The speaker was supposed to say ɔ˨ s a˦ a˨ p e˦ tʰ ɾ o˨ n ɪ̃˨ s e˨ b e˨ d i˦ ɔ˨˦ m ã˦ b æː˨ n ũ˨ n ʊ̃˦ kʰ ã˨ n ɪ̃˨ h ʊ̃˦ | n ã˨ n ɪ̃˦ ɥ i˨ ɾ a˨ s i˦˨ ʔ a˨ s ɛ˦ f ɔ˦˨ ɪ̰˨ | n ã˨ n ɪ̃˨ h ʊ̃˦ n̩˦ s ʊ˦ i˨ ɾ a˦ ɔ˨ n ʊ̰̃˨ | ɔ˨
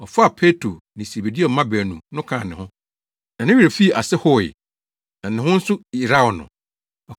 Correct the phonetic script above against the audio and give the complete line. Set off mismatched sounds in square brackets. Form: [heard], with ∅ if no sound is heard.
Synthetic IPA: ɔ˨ [f] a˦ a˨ [pʰ] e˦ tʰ ɾ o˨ n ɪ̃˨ s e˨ b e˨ d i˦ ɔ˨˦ m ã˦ b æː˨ n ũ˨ n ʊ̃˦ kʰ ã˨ n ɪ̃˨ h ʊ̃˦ | n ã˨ n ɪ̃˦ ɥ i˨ ɾ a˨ [f] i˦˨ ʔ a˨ s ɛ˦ [h] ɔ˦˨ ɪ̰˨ | n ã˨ n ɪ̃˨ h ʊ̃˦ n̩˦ s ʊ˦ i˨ ɾ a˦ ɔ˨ n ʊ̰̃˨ | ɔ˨